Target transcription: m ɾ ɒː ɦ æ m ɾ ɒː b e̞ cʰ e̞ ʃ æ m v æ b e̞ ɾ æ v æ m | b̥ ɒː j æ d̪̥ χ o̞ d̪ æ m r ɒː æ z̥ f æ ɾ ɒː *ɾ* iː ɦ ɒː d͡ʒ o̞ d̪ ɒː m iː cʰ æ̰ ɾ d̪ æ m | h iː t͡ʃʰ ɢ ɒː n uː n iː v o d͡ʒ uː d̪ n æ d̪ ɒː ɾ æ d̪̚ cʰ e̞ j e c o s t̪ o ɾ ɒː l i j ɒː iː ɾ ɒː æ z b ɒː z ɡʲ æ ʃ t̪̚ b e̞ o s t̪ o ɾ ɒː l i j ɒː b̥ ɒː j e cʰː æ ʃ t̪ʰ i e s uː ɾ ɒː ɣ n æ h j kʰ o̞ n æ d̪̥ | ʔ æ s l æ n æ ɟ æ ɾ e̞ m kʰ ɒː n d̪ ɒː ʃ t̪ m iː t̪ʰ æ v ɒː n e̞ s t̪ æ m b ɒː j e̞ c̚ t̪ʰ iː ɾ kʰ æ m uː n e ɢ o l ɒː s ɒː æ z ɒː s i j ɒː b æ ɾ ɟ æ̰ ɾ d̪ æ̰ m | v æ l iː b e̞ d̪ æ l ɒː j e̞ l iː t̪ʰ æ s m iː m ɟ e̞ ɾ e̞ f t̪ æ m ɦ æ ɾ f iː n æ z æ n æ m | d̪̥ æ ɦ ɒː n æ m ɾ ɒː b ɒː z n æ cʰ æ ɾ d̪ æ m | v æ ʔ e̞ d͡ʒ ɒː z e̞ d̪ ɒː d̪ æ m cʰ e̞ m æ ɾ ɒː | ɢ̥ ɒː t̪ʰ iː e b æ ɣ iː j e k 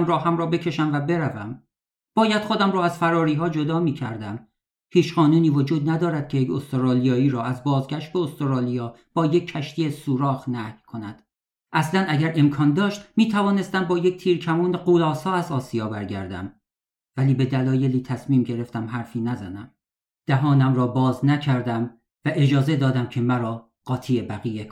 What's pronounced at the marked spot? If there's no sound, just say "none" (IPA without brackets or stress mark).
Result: ɾ